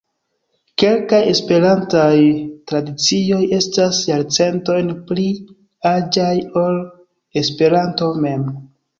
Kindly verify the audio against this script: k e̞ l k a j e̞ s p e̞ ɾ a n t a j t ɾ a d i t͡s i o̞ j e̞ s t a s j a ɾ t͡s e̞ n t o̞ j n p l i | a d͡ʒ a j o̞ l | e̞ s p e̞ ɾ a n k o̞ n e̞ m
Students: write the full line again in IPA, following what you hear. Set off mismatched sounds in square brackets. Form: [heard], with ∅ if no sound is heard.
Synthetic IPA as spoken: k e̞ l k a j e̞ s p e̞ ɾ a n t a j t ɾ a d i t͡s i o̞ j e̞ s t a s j a ɾ t͡s e̞ n t o̞ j n p l i | a d͡ʒ a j o̞ l | e̞ s p e̞ ɾ a n [t] o̞ [m] e̞ m